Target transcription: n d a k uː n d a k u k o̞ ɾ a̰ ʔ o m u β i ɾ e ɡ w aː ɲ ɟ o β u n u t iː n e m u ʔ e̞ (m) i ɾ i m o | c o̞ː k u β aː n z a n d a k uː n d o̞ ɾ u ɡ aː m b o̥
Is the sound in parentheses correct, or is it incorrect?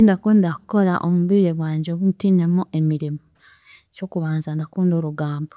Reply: correct